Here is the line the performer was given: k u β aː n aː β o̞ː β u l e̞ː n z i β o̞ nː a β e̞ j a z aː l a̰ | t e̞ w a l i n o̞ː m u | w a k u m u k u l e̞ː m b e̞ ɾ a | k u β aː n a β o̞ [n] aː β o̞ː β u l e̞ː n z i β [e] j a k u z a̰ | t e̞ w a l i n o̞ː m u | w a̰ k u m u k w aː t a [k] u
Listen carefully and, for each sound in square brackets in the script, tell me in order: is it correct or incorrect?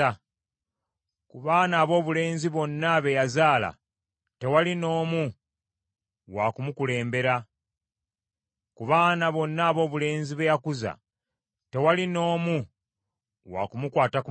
incorrect, correct, correct

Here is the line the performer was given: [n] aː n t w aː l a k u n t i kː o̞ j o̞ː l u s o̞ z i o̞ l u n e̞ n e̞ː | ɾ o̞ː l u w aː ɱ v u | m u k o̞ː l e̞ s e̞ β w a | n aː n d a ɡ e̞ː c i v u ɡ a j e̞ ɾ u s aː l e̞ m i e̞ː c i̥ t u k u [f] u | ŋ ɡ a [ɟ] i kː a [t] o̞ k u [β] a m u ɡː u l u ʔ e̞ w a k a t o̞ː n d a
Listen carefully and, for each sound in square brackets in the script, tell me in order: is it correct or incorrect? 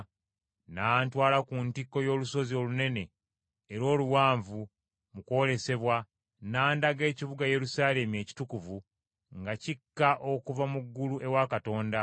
correct, incorrect, incorrect, incorrect, incorrect

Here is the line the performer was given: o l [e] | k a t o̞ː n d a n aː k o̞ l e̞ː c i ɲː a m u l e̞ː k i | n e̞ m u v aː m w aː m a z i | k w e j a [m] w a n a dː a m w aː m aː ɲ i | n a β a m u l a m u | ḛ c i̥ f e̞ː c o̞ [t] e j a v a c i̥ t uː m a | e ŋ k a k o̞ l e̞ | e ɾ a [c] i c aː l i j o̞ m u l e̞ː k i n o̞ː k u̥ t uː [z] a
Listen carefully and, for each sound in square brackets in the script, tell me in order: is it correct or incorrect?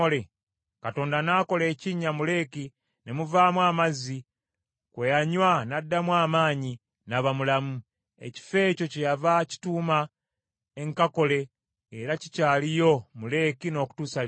correct, incorrect, incorrect, correct, incorrect

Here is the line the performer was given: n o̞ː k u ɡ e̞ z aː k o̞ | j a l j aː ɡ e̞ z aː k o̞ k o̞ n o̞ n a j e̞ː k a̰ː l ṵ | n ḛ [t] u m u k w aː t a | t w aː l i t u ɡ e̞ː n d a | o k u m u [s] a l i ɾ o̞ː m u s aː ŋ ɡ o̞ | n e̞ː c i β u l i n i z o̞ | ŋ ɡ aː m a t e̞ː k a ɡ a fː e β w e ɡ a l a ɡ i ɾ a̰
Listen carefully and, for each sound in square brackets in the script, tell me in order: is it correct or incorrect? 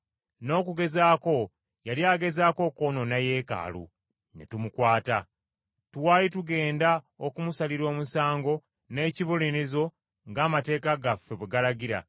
correct, correct

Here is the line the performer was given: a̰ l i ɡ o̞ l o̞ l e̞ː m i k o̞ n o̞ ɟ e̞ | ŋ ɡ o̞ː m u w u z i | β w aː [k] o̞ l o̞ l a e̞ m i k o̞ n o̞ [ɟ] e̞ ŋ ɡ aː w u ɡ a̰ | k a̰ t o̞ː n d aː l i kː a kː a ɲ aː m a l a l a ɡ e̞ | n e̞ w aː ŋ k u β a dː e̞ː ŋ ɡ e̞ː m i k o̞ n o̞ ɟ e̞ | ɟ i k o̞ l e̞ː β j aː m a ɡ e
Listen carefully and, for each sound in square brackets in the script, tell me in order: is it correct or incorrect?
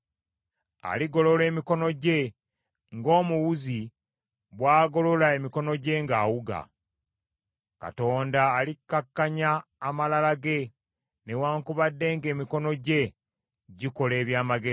incorrect, correct

